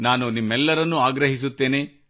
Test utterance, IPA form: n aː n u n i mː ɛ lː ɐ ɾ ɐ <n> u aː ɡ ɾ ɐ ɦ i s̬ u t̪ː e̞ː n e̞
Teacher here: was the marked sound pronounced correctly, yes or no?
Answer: no